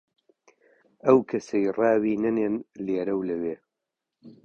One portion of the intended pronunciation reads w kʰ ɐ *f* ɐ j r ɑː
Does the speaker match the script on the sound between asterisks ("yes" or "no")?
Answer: no